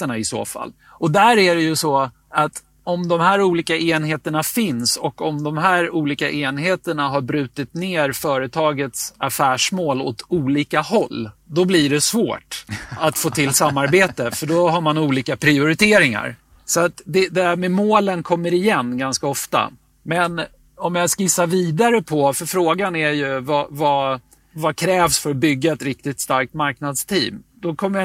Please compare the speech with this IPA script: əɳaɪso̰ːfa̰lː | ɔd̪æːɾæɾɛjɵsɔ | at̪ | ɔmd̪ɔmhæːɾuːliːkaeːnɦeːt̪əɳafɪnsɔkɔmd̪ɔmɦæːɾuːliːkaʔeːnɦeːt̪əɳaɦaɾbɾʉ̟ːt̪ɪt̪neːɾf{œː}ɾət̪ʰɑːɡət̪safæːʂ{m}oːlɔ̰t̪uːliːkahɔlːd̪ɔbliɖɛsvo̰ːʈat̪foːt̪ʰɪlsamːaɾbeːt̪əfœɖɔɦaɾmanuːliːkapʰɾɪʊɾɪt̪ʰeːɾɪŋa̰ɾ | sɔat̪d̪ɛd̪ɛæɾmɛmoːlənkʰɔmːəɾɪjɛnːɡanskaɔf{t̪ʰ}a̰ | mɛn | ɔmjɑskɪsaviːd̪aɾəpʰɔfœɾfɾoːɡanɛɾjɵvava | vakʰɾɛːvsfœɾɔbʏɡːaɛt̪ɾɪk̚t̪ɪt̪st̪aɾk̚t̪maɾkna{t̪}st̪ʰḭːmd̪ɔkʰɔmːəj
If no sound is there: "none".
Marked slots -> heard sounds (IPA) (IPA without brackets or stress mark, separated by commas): œː, m, t̪, d̪